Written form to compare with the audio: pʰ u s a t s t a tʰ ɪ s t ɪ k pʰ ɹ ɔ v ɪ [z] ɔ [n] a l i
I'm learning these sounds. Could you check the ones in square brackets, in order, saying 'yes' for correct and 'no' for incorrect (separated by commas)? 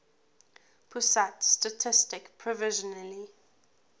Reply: no, yes